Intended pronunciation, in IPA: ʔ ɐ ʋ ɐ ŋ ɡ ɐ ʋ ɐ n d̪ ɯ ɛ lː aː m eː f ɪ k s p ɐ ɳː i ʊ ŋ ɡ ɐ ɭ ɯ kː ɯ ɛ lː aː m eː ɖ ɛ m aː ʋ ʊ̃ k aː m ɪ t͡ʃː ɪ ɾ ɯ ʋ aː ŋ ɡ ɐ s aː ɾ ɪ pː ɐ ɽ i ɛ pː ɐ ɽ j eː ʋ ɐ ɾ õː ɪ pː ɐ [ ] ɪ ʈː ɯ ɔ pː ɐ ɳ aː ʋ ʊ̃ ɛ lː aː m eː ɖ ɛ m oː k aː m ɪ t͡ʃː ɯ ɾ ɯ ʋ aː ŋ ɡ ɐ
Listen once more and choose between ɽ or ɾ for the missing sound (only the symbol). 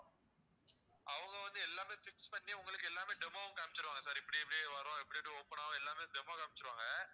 ɽ